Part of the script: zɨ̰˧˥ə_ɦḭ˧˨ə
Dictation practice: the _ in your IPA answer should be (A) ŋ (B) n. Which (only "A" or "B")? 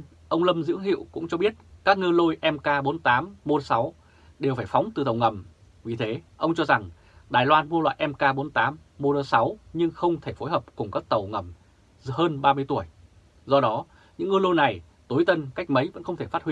A